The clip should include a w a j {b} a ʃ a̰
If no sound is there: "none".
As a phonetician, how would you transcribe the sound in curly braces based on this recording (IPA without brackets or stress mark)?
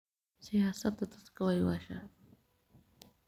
w